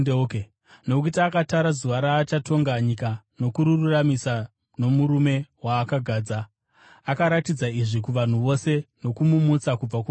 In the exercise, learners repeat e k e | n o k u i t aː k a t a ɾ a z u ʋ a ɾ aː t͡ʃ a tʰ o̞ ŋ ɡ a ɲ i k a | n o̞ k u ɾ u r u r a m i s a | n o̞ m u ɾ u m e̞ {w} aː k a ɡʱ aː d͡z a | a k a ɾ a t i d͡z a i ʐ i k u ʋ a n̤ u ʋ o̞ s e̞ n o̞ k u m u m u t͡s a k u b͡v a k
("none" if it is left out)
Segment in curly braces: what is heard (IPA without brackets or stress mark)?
w